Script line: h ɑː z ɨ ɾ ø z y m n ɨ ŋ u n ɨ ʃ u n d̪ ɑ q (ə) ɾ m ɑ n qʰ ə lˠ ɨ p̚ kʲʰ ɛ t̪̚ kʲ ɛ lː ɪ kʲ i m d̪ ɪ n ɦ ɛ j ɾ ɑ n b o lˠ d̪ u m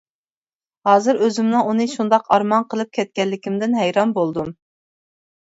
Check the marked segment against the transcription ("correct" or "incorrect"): incorrect